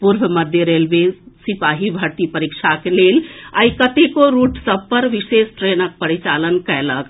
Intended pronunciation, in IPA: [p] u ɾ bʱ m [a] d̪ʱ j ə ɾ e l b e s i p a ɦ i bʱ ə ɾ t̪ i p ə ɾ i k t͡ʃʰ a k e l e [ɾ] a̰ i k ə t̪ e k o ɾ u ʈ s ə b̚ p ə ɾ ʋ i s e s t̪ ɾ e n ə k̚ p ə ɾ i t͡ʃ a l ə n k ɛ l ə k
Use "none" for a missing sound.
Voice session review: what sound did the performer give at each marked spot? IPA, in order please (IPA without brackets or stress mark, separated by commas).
p, ə, l